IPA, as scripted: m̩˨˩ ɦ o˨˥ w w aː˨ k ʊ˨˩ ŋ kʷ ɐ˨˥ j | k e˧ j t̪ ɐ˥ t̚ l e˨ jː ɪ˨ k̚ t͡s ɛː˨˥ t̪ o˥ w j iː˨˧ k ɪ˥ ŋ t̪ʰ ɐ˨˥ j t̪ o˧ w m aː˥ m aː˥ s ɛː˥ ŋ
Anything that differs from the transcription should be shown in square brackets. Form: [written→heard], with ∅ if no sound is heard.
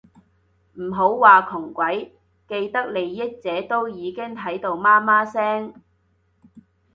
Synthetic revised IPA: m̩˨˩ ɦ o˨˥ w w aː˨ [k→kʰ] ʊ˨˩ ŋ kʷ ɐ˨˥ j | k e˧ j t̪ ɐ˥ [t̚→k̚] l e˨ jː [ɪ˨→ɪ˥] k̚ t͡s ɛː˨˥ t̪ o˥ w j iː˨˧ k ɪ˥ ŋ t̪ʰ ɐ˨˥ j t̪ o˧ w m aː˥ m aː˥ s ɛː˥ ŋ